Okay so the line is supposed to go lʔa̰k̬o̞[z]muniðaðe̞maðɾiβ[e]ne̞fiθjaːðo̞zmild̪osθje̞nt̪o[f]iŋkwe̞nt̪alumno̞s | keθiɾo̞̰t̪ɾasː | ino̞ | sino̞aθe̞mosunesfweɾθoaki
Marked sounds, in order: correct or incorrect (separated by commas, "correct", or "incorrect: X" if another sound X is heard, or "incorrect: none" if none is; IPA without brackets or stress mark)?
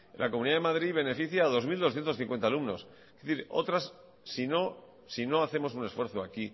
incorrect: none, correct, incorrect: θ